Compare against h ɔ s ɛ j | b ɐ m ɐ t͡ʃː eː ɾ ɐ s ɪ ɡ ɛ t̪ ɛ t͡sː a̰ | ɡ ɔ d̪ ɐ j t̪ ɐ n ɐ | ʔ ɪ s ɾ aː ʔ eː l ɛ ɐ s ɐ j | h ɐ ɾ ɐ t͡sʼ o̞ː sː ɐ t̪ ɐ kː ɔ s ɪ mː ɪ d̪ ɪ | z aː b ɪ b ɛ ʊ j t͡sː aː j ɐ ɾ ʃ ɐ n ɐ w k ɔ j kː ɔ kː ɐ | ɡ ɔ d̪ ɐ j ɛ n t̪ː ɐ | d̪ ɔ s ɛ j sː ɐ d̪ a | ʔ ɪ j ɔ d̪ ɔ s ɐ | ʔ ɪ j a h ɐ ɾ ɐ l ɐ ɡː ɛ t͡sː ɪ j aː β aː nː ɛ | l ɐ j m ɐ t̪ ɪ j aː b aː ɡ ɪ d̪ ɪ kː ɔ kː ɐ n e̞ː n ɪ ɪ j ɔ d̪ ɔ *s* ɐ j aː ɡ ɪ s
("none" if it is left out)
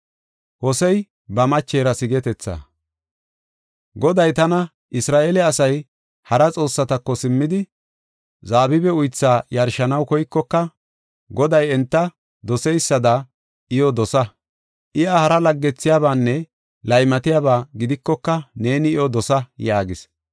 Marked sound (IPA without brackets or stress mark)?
s